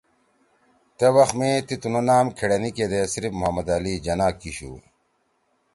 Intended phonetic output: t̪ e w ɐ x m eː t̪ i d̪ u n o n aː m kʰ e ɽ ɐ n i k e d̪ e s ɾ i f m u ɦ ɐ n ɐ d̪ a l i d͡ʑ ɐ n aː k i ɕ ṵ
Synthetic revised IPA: t̪ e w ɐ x m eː t̪ i t̪ u n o n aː m kʰ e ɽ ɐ n i k e d̪ e s ɾ i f m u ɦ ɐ m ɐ d̪ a l i d͡ʑ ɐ n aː k i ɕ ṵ

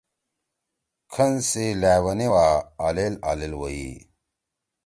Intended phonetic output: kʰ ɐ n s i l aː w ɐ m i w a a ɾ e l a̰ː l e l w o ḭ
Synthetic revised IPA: kʰ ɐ n s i l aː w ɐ n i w a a l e l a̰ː l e l w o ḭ

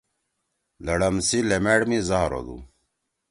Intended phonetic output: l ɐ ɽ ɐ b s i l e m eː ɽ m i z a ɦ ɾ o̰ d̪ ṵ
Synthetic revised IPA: l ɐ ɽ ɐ m s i l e m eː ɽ m i z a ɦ ɾ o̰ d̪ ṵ

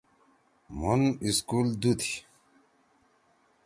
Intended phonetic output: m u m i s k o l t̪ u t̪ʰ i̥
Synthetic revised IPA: m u n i s k u l d̪ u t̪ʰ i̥

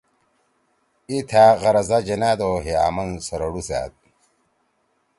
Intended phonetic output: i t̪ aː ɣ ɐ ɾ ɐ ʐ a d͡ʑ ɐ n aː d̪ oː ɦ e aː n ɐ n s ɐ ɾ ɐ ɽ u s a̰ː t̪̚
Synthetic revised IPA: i t̪ʰ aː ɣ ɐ ɾ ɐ z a d͡ʑ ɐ n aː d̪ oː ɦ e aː m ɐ n s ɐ ɾ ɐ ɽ u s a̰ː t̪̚

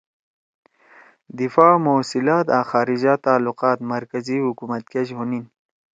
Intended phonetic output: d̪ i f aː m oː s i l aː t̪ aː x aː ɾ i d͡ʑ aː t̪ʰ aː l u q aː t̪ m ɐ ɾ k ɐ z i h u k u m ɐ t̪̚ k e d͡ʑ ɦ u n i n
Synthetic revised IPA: d̪ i f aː m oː s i l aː t̪ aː x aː ɾ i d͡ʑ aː t̪ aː l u q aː t̪ m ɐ ɾ k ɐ z i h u k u m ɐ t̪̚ k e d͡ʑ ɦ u n i n

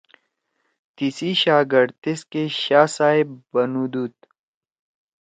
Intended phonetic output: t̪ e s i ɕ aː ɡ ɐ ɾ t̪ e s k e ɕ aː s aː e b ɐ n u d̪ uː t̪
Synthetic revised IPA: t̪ i s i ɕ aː ɡ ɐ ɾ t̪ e s k e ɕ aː s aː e b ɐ n u d̪ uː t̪

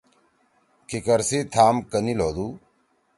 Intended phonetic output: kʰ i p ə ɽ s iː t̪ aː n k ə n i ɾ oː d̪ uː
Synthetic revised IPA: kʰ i k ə ɾ s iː t̪ʰ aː m k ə n i l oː d̪ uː

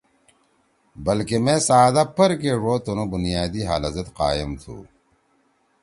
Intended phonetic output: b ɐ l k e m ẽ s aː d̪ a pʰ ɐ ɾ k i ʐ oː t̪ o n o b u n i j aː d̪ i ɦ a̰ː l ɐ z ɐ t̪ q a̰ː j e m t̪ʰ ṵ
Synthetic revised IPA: b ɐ l k e m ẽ s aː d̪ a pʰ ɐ ɾ k e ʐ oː t̪ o n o b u n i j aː d̪ i ɦ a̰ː l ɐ z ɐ t̪ q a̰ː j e m t̪ʰ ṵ

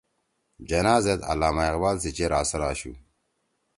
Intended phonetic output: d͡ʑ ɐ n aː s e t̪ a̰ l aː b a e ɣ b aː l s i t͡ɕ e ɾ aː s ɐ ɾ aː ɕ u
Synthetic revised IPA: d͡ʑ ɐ n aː z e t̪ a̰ l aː m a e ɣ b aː l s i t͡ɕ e ɾ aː s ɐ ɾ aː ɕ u

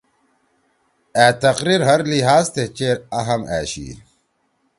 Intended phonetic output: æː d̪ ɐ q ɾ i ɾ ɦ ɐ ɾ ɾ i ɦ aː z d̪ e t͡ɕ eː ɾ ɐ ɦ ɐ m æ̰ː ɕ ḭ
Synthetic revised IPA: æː t̪ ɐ q ɾ i ɾ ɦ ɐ ɾ l i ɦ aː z t̪ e t͡ɕ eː ɾ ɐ ɦ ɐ m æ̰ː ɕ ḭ

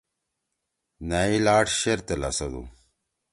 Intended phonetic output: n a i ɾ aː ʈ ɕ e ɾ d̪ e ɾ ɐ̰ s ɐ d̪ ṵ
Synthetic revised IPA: n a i l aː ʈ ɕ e ɾ t̪ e l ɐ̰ s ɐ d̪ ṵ

